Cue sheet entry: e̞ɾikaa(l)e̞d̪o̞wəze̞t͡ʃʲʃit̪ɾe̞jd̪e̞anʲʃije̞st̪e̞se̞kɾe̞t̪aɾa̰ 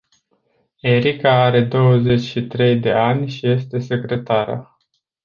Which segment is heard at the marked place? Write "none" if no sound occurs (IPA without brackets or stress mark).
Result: ɾ